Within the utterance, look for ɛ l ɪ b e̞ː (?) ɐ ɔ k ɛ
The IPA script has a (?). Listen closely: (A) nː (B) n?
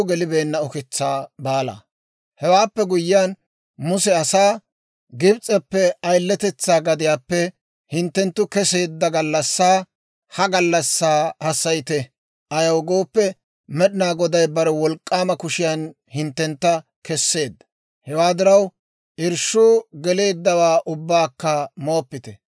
A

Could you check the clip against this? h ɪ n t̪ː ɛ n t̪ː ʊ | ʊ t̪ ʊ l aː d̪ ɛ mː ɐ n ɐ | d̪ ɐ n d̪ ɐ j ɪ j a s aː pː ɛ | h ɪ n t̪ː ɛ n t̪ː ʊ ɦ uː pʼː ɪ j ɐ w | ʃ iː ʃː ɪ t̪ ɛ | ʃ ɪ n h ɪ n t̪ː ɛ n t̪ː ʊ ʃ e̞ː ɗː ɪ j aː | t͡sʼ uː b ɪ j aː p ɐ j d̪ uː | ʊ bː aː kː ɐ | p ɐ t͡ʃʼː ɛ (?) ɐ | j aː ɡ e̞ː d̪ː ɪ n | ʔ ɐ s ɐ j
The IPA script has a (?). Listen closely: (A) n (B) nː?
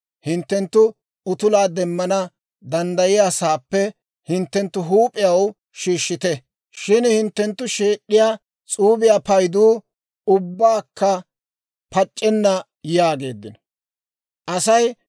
B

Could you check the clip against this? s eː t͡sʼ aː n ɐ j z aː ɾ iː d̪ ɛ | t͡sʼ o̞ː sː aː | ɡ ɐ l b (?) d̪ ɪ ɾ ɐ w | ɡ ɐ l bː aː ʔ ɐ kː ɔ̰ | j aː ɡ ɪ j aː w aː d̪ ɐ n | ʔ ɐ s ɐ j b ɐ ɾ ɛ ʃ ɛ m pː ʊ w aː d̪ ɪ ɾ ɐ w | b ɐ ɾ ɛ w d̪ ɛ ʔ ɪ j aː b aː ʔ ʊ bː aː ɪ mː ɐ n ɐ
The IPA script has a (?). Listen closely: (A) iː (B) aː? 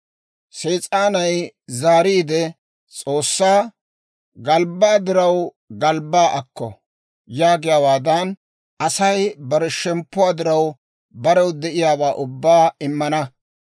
B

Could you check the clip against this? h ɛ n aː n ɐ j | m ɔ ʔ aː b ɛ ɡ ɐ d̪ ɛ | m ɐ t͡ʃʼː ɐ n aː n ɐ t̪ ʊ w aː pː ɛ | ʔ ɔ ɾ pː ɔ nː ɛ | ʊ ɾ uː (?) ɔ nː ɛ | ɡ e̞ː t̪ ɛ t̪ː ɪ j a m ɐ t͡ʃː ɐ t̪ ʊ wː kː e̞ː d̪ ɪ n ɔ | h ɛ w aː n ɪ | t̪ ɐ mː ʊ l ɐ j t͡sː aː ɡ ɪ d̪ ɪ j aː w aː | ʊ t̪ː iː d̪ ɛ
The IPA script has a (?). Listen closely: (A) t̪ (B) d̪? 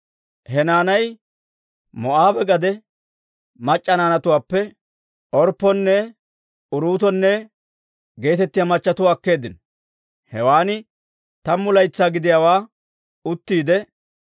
A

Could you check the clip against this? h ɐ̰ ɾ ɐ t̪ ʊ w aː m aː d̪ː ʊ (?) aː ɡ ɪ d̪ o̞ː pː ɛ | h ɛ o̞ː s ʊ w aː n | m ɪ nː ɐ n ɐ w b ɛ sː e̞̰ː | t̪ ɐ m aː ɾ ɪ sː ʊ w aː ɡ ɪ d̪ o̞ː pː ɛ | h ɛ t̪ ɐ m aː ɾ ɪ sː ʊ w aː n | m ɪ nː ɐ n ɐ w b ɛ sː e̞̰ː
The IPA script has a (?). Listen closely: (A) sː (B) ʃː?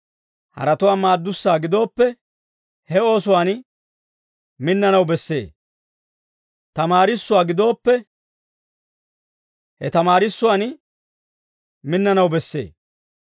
A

